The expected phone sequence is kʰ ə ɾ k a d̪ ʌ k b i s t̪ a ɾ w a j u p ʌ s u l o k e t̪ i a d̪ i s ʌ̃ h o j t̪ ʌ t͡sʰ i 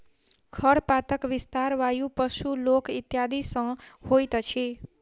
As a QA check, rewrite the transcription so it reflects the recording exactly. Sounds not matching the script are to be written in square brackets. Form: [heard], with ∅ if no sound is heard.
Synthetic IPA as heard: kʰ [ʌ] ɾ [p] a [t̪] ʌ k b i s t̪ a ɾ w a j u p ʌ s u l o k [i] t̪ [j] a d̪ i s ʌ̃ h o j t̪ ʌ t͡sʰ i